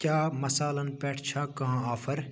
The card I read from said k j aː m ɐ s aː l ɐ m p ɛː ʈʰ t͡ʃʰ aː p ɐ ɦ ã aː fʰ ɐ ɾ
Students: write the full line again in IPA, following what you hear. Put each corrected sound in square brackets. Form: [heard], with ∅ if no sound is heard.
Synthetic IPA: k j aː m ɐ s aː l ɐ [n] p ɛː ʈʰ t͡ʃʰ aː [k] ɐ ɦ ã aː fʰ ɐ ɾ